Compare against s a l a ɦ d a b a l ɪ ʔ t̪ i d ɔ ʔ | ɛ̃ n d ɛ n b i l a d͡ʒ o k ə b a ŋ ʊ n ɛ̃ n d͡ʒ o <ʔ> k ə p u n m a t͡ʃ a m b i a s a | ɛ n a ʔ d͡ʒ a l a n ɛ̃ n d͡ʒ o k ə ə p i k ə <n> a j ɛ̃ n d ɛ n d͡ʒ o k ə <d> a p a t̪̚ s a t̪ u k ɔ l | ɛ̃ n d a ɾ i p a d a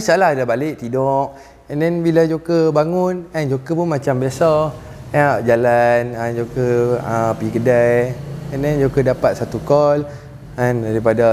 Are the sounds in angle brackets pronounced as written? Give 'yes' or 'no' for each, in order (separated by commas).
no, no, yes